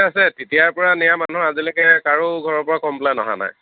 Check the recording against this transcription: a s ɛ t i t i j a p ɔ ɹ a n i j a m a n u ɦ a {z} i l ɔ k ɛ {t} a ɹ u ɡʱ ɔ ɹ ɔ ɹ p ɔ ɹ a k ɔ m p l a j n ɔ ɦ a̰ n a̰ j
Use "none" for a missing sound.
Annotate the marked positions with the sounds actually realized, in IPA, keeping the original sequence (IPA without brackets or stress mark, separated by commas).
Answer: z, k